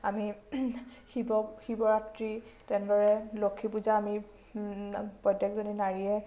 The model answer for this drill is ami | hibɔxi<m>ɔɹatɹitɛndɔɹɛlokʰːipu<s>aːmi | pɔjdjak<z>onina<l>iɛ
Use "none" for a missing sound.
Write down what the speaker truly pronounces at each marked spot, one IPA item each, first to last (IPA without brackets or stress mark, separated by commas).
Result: b, z, z, ɹ